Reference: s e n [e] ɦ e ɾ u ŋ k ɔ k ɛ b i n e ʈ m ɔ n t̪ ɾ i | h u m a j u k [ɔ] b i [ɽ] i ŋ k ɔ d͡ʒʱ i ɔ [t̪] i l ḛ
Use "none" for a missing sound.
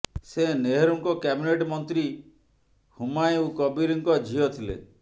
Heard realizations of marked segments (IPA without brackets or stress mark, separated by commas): e, ɔ, ɾ, t̪ʰ